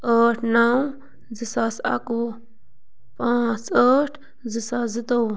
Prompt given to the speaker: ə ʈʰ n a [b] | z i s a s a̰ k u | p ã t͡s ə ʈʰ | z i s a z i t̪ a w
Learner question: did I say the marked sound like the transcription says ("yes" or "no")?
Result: no